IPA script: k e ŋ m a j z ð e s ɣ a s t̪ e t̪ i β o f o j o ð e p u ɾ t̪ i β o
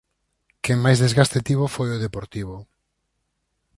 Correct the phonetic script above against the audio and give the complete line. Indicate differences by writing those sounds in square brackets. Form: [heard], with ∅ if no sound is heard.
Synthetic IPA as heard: k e ŋ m a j z ð e [z] ɣ a s t̪ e t̪ i β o f o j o ð e p [o] ɾ t̪ i β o